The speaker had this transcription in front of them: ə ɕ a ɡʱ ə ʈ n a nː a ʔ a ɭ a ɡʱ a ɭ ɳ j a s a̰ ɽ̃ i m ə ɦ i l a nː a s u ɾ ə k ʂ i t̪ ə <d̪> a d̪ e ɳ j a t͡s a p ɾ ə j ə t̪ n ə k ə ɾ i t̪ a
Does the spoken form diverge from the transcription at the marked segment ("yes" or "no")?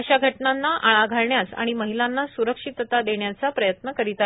yes